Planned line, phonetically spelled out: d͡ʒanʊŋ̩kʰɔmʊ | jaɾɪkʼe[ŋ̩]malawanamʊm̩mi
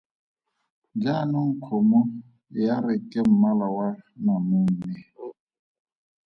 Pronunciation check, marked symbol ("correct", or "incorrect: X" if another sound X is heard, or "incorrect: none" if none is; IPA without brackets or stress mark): incorrect: m̩